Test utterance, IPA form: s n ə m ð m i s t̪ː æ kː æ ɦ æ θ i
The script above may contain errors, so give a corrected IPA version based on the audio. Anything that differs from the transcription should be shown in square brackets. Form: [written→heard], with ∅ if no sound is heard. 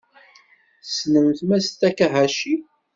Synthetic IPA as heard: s n ə m [ð→θ] m [i→æ] s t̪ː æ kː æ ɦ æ [θ→ʃ] i